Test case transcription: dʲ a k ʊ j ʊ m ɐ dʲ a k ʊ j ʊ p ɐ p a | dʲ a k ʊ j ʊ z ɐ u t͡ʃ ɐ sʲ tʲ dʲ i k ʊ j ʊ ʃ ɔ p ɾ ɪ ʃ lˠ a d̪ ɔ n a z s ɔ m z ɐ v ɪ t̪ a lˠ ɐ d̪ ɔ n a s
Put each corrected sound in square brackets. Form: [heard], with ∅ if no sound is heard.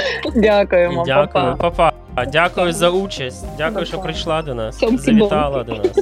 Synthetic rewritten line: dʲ a k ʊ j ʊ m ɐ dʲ a k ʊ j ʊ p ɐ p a | dʲ a k ʊ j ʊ z ɐ u t͡ʃ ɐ sʲ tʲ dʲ [a] k ʊ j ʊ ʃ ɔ p ɾ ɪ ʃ lˠ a d̪ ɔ n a [s] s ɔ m z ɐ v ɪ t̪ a lˠ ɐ d̪ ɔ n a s